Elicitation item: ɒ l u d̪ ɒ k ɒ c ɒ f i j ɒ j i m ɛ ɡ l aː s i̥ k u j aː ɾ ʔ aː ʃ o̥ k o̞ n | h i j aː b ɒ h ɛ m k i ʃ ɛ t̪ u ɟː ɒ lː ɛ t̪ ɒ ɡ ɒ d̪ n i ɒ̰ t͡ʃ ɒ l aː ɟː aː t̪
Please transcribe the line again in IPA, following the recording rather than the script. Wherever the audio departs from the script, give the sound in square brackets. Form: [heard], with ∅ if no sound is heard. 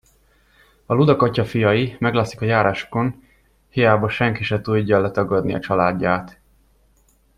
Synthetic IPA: ɒ l u d̪ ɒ k ɒ c ɒ f i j ɒ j i m ɛ ɡ l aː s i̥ k [ɒ] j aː ɾ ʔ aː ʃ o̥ k o̞ n | h i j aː b ɒ [ʃ] ɛ [ŋ] k i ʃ ɛ t̪ u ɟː ɒ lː ɛ t̪ ɒ ɡ ɒ d̪ n i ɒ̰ t͡ʃ ɒ l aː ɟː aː t̪